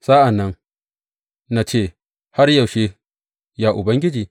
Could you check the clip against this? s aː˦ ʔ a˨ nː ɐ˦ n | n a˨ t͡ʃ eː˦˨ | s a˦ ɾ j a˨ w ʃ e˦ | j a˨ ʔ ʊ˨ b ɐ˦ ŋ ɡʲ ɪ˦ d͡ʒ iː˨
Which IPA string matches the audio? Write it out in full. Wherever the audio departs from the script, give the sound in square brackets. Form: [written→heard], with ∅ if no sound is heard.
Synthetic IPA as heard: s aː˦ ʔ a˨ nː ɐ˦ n | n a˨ t͡ʃ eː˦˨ | [s→h] a˦ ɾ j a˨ w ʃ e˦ | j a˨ ʔ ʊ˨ b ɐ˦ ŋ ɡʲ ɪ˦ d͡ʒ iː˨